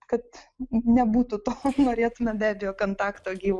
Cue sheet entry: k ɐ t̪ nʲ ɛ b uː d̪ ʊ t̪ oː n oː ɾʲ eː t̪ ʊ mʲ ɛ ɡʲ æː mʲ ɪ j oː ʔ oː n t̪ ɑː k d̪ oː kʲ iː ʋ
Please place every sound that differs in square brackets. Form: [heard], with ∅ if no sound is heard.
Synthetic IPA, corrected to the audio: k ɐ t̪ nʲ ɛ b uː [t̪] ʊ t̪ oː n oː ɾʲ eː t̪ ʊ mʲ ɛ [bʲ] æː [bʲ] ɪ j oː [k] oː n t̪ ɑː k [t̪] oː [ɡʲ] iː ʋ